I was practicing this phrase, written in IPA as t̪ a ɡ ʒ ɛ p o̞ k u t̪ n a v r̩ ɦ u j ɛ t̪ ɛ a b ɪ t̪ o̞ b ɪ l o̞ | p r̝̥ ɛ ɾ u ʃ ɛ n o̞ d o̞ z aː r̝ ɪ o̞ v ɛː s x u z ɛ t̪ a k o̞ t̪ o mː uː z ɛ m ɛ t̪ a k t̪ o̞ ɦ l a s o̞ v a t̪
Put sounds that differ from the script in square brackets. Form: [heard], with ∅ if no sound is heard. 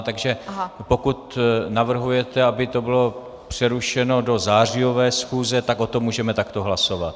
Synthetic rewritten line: t̪ a ɡ ʒ ɛ p o̞ k u t̪ n a v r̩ ɦ u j ɛ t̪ ɛ a b ɪ t̪ o̞ b ɪ l o̞ | p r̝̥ ɛ ɾ u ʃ ɛ n o̞ d o̞ z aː r̝ ɪ o̞ v ɛː s x [uː] z ɛ t̪ a k o̞ t̪ o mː uː [ʒ] ɛ m ɛ t̪ a k t̪ o̞ ɦ l a s o̞ v a t̪